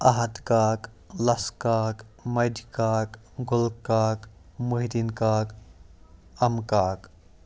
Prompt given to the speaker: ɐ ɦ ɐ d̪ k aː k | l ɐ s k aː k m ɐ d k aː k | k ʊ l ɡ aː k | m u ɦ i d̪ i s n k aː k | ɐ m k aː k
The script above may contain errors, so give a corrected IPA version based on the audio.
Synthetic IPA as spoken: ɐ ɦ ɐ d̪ k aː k | l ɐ s k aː k m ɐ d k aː k | ɡ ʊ l k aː k | m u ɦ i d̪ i n k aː k | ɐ m k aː k